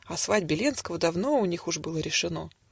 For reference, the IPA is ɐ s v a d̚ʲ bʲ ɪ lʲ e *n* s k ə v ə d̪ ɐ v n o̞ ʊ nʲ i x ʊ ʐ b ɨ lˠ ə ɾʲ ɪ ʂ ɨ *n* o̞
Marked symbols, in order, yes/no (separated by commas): yes, yes